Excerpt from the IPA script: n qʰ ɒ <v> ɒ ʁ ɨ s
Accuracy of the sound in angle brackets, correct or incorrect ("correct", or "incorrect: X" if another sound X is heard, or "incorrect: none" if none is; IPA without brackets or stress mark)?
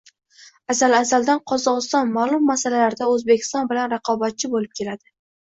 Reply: incorrect: z